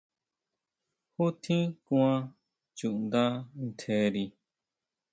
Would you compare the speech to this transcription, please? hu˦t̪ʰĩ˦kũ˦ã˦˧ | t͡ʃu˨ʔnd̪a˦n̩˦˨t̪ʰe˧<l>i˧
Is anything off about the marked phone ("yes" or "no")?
yes